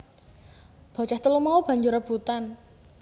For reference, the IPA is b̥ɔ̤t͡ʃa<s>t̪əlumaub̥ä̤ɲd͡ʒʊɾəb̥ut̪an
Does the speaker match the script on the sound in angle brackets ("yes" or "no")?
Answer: no